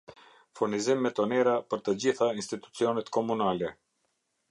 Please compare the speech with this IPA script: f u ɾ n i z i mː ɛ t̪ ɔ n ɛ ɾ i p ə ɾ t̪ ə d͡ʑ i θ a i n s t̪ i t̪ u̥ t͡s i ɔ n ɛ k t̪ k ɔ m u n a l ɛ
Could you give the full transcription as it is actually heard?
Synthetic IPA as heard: f u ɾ n i z i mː ɛ t̪ ɔ n ɛ ɾ a p ə ɾ t̪ ə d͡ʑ i θ a i n s t̪ i t̪ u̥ t͡s i ɔ n ɛ t̪ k ɔ m u n a l ɛ